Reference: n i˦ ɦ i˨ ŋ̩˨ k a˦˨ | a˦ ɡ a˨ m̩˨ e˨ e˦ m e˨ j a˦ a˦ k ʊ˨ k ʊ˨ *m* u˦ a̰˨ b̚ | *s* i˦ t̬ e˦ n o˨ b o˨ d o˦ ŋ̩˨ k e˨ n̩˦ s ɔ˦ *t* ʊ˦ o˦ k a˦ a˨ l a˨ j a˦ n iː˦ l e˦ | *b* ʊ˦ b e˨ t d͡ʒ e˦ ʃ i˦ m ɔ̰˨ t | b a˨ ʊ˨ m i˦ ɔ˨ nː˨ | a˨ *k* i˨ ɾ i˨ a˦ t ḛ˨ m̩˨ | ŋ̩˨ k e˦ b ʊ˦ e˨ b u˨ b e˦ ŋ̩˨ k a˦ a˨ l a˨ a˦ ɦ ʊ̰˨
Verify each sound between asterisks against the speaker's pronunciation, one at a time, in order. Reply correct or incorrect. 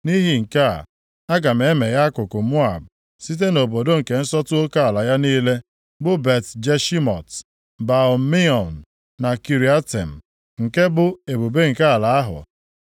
correct, correct, correct, correct, correct

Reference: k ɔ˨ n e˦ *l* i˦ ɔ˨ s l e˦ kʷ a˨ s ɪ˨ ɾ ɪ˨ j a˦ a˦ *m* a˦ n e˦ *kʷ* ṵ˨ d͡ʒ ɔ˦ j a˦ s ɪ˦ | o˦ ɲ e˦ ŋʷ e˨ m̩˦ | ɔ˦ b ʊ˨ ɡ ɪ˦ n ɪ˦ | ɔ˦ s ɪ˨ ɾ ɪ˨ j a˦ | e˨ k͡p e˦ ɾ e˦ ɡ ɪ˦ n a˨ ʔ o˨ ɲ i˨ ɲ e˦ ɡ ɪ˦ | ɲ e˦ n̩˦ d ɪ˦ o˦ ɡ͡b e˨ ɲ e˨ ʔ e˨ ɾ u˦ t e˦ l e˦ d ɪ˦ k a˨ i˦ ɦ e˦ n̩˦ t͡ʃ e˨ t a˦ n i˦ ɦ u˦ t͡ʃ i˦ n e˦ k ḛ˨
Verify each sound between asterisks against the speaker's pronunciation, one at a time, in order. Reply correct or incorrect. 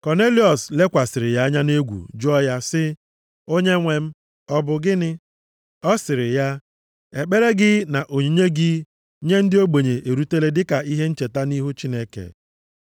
correct, incorrect, incorrect

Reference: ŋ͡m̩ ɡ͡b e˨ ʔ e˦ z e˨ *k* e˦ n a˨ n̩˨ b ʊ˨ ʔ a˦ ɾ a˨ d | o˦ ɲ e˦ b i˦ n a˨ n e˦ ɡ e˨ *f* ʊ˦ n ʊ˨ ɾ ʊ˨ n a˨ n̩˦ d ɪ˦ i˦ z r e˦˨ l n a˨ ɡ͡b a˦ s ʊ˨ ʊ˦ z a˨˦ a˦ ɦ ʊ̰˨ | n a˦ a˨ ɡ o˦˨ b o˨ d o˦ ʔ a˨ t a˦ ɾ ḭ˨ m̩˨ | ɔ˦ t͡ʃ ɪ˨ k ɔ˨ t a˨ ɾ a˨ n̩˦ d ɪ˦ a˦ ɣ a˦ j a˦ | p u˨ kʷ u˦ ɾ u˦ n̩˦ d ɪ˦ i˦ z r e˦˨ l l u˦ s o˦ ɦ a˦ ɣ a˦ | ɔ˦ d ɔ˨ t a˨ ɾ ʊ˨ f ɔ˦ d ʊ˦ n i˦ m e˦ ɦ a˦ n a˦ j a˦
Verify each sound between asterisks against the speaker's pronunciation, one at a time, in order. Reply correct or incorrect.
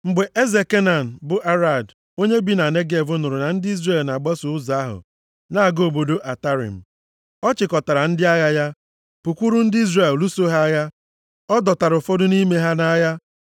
correct, incorrect

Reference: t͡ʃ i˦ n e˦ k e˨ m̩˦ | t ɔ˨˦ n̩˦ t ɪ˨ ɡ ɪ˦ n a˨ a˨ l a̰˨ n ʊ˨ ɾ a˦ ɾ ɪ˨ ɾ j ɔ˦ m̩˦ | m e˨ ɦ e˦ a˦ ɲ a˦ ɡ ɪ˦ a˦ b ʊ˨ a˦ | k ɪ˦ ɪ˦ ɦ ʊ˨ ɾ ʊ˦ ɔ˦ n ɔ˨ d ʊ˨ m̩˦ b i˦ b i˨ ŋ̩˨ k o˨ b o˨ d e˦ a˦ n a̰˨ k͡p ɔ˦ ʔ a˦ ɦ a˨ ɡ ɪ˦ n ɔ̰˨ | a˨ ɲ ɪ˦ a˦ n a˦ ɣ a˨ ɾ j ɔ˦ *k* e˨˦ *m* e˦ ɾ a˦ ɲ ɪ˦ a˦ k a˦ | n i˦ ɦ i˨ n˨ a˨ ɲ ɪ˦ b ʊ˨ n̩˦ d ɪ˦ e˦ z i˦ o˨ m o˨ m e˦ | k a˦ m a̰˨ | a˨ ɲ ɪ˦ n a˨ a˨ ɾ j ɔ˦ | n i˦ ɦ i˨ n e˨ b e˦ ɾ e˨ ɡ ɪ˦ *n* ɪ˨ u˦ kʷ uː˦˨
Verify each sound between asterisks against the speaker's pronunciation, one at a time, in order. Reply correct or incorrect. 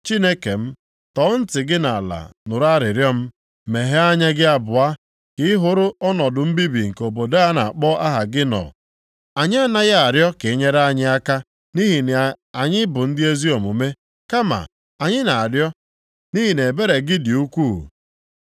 correct, incorrect, incorrect

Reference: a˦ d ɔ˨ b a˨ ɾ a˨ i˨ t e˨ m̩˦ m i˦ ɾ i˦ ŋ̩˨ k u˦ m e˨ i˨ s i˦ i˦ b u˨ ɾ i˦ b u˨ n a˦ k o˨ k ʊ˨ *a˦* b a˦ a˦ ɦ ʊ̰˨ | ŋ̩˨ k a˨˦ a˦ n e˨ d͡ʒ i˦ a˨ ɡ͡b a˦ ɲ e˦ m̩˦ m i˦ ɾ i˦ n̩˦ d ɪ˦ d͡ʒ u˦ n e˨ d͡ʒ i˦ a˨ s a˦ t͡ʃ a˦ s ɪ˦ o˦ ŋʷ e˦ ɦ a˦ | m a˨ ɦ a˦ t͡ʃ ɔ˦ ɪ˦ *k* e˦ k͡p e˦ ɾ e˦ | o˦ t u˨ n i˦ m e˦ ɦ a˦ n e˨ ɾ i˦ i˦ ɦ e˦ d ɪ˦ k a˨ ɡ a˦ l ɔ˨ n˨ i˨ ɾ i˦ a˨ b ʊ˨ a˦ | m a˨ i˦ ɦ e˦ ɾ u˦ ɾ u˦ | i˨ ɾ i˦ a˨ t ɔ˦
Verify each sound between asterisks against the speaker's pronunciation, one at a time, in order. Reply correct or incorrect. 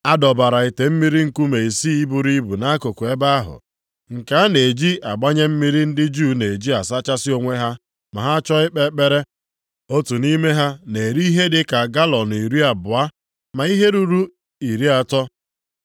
incorrect, incorrect

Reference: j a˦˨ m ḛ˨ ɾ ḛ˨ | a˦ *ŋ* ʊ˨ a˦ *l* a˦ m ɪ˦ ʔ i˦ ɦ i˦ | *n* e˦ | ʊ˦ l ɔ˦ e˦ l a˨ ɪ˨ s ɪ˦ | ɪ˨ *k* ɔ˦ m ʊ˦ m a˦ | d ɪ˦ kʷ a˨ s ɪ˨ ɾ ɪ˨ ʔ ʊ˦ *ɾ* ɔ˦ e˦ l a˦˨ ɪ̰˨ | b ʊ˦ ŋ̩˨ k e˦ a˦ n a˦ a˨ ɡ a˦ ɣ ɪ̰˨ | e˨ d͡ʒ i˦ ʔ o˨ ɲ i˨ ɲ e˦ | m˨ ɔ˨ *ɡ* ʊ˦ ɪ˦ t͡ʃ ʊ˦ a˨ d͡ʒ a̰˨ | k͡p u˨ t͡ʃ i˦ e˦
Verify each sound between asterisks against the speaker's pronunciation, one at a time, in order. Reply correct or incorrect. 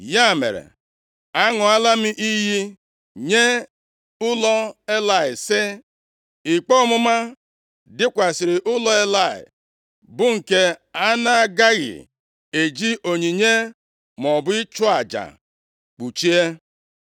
correct, correct, incorrect, incorrect, incorrect, incorrect

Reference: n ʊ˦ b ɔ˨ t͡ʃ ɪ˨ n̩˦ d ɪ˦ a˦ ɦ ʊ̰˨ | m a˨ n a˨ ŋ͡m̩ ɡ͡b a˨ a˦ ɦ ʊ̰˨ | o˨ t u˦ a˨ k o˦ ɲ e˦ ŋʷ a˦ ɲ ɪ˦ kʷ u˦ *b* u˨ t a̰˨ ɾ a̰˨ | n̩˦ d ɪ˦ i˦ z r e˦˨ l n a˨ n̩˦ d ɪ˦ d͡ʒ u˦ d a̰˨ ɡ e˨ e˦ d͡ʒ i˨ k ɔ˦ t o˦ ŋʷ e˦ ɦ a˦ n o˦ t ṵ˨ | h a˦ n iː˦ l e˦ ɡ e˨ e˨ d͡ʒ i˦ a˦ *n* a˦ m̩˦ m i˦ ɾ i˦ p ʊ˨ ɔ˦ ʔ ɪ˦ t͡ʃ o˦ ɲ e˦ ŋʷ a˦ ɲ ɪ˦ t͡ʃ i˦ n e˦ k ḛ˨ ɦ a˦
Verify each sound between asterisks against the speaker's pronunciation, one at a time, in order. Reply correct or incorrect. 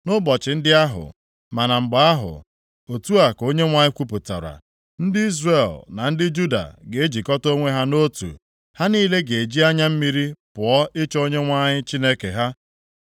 incorrect, incorrect

